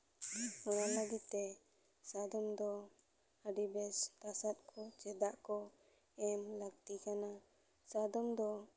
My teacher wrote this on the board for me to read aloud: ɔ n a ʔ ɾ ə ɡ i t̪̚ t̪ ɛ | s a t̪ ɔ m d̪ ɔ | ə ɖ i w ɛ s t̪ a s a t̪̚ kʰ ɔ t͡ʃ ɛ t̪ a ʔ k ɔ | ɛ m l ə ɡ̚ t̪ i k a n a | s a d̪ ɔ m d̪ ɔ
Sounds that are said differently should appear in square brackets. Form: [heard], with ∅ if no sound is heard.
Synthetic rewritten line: ɔ n a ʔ [l] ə ɡ i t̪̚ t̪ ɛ | s a [d̪] ɔ m d̪ ɔ | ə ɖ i [b] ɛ s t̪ a s a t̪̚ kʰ ɔ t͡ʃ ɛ [d̪] a ʔ k ɔ | ɛ m l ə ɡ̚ t̪ i k a n a | s a d̪ ɔ m d̪ ɔ